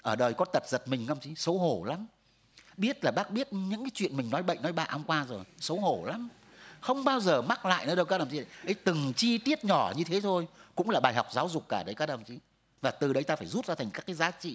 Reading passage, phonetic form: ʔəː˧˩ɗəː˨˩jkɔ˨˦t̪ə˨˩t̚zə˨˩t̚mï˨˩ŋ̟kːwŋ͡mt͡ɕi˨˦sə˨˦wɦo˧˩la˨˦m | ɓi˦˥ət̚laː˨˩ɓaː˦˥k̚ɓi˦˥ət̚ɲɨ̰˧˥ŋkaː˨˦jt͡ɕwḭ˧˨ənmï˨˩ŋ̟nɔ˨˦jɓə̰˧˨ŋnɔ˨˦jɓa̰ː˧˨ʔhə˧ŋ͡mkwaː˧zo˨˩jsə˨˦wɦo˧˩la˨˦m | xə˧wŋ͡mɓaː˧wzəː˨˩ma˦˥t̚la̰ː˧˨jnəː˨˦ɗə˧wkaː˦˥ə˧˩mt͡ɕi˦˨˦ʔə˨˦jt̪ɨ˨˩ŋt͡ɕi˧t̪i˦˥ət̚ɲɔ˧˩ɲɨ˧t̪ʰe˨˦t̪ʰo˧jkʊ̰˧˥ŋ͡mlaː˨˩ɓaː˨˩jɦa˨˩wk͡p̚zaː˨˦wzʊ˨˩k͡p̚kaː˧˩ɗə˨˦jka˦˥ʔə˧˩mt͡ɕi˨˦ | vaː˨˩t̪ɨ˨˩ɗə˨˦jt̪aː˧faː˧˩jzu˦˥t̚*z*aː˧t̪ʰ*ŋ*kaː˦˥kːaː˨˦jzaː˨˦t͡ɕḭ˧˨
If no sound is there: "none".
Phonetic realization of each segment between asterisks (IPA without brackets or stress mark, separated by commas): z, ŋ